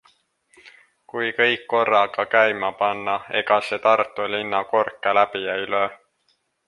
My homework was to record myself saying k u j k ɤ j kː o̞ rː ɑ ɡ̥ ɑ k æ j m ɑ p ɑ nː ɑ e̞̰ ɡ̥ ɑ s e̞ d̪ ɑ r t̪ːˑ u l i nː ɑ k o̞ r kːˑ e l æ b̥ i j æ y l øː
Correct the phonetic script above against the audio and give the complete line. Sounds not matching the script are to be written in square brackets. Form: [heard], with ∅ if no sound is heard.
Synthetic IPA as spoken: k u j k ɤ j kː o̞ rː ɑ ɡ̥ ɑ k æ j m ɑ p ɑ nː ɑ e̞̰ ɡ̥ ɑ s e̞ [t̪] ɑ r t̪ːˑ u l i nː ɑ k o̞ r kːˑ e l æ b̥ i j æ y l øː

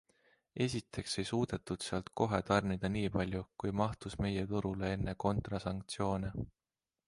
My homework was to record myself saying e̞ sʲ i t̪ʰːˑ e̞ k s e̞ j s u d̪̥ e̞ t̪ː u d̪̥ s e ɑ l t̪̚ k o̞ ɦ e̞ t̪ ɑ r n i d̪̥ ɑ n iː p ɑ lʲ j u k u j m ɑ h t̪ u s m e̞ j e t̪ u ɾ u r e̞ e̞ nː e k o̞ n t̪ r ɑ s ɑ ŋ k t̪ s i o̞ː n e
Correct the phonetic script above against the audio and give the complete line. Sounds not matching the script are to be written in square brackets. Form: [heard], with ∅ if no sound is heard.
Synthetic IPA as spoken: e̞ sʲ i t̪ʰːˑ e̞ k s e̞ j s [uː] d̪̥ e̞ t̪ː u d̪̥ s e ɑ l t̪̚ k o̞ ɦ e̞ t̪ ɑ r n i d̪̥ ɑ n iː p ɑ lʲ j u k u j m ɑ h t̪ u s m e̞ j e t̪ u ɾ u [l] e̞ e̞ nː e k o̞ n t̪ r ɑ s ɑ ŋ k t̪ s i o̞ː n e

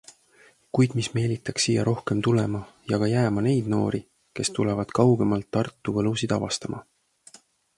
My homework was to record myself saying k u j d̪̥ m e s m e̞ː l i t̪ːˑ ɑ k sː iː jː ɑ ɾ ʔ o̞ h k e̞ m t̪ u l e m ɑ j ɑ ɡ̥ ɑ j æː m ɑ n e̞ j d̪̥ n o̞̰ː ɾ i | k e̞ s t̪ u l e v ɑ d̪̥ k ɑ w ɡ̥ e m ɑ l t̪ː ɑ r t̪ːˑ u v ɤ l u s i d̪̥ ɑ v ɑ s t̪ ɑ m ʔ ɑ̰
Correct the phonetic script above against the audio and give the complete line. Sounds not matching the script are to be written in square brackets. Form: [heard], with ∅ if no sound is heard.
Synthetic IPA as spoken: k u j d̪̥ m [i] s m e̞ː l i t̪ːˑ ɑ k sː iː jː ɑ ɾ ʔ o̞ h k e̞ m t̪ u l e m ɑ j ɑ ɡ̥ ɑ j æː m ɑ n e̞ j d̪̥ n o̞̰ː ɾ i | k e̞ s t̪ u l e v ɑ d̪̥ k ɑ w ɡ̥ e m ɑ l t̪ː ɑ r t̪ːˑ u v ɤ l u s i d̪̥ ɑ v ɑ s t̪ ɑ m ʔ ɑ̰

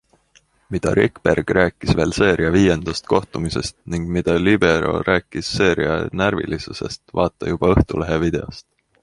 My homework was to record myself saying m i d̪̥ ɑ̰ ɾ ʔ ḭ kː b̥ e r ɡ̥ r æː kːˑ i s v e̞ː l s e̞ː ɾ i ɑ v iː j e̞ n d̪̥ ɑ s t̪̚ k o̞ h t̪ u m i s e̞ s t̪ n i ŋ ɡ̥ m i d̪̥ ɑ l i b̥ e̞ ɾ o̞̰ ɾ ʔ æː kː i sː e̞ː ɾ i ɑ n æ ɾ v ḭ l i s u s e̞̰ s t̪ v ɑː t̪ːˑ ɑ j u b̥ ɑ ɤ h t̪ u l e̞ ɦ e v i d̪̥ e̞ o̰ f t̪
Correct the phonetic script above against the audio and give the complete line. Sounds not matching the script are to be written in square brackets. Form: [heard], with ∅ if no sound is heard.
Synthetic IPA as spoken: m i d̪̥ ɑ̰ ɾ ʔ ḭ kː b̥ e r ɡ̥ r æː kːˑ i s v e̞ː l s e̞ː ɾ i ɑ v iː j e̞ n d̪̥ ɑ s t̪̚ k o̞ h t̪ u m i s e̞ s t̪ n i ŋ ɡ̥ m i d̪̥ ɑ l i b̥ e̞ ɾ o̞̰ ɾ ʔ æː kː i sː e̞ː ɾ i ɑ n æ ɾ v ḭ l i s u s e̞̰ s t̪ v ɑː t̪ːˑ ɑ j u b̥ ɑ ɤ h t̪ u l e̞ ɦ e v i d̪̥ e̞ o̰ [s] t̪

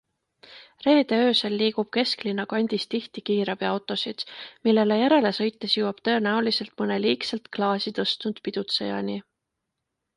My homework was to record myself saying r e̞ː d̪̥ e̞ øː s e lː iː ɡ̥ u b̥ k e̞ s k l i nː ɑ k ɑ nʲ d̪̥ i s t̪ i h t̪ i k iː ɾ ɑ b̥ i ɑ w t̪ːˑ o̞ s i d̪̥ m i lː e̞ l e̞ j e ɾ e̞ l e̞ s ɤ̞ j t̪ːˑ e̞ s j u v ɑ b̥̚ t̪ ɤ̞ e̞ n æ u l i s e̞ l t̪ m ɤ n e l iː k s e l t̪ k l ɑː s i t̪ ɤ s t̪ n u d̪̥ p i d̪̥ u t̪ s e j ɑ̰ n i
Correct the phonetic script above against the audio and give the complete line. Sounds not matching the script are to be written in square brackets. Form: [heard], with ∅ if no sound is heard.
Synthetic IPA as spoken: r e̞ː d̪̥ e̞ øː s e lː iː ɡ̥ u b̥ k e̞ s k l i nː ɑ k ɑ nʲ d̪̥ i s t̪ i h t̪ i k iː ɾ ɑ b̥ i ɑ w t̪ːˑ o̞ s i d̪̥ m i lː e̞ l e̞ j [æ] ɾ e̞ l e̞ s ɤ̞ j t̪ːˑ e̞ s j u [w] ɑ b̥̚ t̪ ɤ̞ e̞ n æ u l i s e̞ l t̪ m ɤ n e l iː k s e l t̪ k l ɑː s i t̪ ɤ s t̪ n u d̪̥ p i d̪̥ u t̪ s e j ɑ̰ n i

